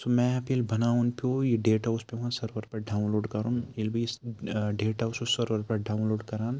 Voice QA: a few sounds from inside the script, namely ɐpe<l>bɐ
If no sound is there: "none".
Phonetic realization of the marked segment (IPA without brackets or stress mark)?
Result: l